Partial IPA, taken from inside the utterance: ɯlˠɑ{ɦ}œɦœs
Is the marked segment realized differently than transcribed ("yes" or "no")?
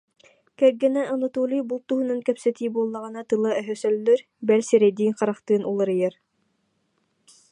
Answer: yes